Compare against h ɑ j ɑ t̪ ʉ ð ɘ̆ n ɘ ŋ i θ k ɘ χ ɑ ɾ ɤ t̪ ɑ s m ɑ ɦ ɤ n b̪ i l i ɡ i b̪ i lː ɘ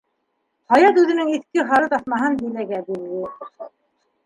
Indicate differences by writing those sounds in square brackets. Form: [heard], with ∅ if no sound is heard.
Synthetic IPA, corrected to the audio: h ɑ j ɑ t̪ ʉ ð ɘ̆ n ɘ ŋ i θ k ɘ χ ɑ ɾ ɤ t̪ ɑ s m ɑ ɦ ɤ n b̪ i l [æ] ɡ [æ] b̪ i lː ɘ